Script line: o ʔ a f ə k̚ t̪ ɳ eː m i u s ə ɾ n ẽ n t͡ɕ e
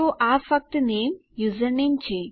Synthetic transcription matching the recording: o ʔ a f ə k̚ t̪ n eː m j u z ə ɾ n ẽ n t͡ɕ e